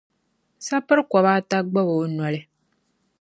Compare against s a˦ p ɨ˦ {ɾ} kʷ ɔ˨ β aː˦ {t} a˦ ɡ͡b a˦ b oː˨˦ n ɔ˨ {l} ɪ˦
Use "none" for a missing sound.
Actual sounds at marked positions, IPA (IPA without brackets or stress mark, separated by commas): ɾ, t, l